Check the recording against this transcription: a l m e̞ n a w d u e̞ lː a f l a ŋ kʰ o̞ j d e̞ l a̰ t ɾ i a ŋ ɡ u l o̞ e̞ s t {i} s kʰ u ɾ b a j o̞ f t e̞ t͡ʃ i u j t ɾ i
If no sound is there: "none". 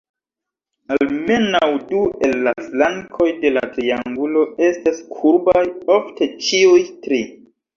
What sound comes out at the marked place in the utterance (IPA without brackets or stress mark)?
a